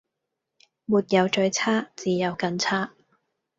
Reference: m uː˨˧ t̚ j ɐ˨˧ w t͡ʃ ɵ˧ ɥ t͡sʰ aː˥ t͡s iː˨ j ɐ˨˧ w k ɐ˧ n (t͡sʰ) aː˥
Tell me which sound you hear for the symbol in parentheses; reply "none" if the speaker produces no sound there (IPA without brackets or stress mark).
t͡sʰ